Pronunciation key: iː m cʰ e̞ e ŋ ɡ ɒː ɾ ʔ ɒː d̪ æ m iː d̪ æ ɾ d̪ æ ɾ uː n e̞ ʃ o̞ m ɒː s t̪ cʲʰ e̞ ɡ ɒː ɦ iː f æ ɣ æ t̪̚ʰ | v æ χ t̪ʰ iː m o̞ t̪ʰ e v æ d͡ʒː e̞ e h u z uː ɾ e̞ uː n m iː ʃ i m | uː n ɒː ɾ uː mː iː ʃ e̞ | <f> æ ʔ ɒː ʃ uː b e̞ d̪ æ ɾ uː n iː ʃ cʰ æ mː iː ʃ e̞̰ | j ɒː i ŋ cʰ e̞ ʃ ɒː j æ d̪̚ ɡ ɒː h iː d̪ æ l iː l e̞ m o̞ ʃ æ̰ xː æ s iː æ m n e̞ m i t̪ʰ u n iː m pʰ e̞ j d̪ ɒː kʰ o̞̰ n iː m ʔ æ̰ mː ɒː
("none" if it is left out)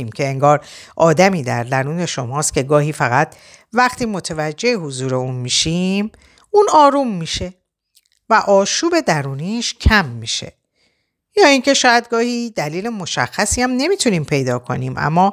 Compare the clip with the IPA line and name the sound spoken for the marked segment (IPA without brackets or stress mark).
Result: v